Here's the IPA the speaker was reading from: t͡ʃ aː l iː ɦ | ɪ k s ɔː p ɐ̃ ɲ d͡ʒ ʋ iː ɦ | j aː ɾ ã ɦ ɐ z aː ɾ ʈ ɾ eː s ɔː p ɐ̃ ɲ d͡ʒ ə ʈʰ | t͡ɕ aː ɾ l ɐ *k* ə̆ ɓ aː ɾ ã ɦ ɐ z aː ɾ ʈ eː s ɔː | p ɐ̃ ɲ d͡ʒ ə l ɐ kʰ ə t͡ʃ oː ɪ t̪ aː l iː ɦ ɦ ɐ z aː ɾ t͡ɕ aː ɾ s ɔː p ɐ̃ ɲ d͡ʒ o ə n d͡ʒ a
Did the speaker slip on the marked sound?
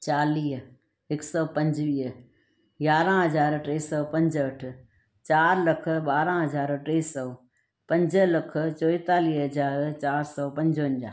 yes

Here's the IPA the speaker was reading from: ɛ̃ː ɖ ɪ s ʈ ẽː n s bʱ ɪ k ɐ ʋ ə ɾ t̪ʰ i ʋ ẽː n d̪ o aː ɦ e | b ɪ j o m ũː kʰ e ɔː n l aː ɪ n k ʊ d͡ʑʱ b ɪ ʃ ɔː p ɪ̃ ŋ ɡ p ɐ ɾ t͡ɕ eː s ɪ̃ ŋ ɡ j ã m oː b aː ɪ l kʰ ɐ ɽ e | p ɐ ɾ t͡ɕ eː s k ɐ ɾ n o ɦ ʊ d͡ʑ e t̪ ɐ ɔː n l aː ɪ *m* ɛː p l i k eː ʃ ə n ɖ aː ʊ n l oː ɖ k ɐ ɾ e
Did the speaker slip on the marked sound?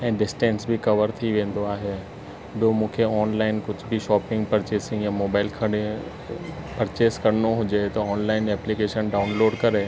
yes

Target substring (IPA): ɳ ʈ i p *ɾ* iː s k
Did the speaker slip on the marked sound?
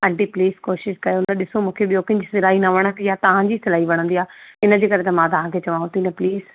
yes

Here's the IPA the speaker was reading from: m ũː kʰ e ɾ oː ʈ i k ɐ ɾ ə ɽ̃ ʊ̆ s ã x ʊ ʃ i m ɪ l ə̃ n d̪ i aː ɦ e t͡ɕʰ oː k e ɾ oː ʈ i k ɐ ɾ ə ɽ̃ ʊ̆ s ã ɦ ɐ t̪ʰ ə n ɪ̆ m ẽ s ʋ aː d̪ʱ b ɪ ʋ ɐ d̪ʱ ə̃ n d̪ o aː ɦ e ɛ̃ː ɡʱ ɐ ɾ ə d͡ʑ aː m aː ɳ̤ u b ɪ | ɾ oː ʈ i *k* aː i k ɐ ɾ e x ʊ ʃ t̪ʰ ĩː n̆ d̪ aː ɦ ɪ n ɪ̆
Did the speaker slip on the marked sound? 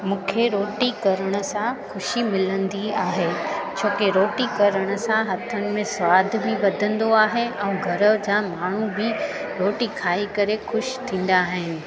yes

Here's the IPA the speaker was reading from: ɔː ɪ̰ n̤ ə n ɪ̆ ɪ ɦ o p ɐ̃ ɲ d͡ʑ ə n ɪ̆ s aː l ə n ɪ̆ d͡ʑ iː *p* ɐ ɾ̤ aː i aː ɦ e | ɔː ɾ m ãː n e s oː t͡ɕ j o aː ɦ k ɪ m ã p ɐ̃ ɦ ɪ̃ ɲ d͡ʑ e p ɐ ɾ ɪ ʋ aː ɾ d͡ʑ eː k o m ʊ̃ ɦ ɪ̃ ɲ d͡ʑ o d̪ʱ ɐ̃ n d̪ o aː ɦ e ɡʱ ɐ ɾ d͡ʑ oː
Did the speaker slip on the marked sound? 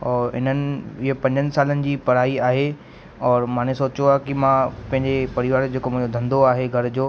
no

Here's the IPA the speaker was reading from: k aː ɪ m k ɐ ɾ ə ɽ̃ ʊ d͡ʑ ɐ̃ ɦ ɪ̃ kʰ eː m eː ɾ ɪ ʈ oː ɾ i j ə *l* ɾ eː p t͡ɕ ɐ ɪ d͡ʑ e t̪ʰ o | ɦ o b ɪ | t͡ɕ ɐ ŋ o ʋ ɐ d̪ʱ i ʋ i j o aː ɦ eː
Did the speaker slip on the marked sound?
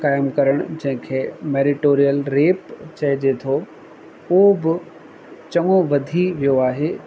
no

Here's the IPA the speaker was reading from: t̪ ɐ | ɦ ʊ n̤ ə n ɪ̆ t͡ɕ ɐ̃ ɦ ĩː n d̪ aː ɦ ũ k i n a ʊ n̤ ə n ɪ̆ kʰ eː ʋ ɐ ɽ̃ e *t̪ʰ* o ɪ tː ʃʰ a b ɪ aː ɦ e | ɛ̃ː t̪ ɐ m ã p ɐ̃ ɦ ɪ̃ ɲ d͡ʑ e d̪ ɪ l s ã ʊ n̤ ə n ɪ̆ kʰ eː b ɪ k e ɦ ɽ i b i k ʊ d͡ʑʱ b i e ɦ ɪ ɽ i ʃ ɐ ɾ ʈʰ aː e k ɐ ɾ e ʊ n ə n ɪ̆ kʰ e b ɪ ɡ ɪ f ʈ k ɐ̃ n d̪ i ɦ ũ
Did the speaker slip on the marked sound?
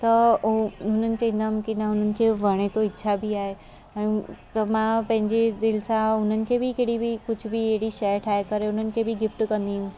yes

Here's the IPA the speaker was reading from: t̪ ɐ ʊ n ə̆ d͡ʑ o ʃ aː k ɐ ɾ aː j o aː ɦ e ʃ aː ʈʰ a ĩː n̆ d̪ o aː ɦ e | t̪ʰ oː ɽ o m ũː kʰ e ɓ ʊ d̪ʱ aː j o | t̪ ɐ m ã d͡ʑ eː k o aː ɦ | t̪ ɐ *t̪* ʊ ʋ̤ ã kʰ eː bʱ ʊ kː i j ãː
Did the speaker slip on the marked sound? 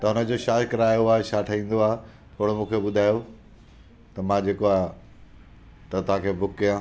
no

